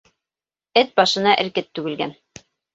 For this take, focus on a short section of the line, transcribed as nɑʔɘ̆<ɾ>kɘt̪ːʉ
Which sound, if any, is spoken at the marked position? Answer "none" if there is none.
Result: ɾ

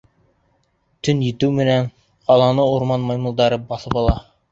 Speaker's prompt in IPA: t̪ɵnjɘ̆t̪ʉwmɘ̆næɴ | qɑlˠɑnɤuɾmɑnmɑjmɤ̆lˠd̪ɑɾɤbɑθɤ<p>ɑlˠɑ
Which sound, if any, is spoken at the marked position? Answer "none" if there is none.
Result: p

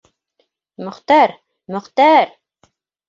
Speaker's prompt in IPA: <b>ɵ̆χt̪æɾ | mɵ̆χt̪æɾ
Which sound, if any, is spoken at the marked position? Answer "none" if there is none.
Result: m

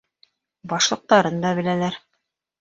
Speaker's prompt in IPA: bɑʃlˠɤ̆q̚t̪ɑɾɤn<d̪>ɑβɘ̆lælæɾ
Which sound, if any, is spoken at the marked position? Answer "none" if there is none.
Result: d̪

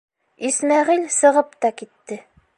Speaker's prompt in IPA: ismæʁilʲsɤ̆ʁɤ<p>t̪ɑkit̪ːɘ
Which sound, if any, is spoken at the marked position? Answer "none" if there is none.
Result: p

